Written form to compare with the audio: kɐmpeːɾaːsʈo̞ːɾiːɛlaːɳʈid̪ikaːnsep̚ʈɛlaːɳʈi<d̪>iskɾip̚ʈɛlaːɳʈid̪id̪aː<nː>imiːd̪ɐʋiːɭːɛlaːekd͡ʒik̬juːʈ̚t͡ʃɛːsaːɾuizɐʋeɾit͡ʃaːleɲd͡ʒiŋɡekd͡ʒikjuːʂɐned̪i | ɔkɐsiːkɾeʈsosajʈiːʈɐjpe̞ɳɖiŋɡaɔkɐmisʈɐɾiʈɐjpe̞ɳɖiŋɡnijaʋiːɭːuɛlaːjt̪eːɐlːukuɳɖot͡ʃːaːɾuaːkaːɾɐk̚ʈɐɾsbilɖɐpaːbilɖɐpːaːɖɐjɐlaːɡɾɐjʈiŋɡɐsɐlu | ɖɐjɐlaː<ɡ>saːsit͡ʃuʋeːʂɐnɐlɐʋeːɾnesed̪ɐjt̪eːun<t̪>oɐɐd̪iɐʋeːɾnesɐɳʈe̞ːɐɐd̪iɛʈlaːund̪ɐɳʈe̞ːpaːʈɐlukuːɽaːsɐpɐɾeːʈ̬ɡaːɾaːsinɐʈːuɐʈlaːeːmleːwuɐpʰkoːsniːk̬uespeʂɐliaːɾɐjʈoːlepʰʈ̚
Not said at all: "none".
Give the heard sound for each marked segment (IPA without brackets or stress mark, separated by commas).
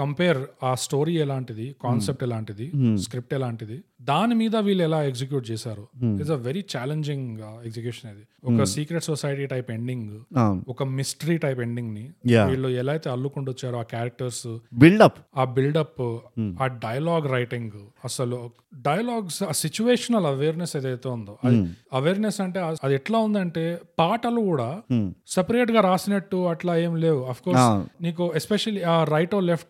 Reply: d̪, n, ɡ, d̪